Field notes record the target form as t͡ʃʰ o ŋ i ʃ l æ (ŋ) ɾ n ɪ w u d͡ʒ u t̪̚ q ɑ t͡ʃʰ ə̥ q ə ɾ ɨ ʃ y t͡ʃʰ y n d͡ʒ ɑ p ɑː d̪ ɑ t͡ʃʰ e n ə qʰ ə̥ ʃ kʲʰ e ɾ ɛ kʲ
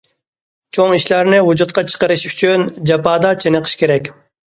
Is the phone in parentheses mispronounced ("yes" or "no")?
yes